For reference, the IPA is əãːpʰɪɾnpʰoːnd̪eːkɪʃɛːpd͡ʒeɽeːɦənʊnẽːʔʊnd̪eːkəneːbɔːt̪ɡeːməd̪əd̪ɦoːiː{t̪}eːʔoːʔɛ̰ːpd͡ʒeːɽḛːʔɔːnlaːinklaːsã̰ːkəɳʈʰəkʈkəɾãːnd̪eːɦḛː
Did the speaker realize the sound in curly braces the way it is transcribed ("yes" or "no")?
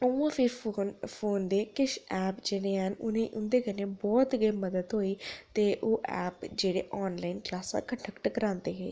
yes